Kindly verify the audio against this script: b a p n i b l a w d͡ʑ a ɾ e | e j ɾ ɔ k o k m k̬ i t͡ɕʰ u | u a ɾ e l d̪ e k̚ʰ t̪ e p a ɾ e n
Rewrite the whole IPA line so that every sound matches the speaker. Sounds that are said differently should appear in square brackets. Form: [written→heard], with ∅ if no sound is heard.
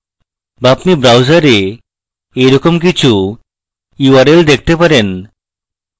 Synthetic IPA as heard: b a p n i b [l→ɾ] a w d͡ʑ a ɾ e | e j ɾ ɔ k o [k→∅] m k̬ i t͡ɕʰ u | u a ɾ e l d̪ e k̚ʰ t̪ e p a ɾ e n